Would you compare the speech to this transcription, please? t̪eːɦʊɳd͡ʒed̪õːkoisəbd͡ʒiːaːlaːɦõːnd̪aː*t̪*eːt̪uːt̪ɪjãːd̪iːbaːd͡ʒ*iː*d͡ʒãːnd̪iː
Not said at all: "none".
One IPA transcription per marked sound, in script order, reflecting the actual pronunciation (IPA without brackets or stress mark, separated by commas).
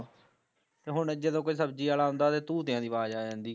t̪, aː